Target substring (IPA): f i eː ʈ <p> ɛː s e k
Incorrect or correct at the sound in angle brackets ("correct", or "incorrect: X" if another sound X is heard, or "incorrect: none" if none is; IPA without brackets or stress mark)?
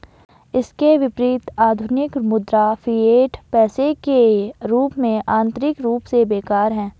correct